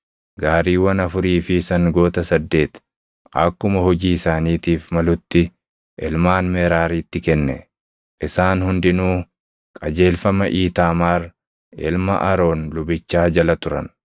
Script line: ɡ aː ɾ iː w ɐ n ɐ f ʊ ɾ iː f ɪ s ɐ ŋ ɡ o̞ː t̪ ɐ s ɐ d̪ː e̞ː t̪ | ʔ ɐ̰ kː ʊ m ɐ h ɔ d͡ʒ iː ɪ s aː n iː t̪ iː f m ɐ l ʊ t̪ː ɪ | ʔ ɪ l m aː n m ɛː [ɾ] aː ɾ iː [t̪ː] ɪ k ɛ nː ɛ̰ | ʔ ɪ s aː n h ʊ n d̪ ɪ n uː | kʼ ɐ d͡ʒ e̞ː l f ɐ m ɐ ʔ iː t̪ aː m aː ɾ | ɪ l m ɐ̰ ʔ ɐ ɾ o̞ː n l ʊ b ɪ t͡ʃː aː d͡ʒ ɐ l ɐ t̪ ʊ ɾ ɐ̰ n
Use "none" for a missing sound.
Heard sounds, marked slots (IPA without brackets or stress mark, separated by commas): ɾ, t̪ː